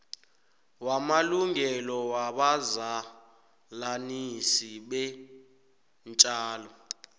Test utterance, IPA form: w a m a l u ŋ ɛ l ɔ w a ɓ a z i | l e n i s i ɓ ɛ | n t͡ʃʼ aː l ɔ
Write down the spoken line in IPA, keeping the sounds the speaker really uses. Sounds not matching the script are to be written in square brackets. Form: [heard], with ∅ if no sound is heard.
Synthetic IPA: w a m a l u ŋ ɛ l ɔ w a ɓ a z [a] | l [a] n i s i ɓ ɛ | n t͡ʃʼ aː l ɔ